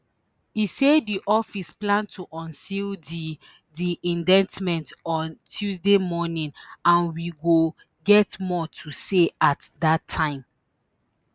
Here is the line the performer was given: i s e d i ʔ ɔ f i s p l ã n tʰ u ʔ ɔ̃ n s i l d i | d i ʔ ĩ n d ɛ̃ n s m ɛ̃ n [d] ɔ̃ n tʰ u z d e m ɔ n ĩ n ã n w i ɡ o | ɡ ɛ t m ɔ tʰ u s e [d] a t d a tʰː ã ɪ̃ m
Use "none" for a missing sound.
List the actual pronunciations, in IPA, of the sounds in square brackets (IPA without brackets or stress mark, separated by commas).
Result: t, none